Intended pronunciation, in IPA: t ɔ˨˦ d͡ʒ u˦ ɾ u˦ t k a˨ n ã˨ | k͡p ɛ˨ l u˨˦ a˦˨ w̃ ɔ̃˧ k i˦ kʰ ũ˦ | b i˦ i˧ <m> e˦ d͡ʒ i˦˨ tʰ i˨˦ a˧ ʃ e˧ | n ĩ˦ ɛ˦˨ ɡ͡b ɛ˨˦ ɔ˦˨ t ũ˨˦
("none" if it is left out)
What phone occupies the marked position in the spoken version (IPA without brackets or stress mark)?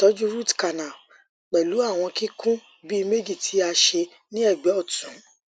m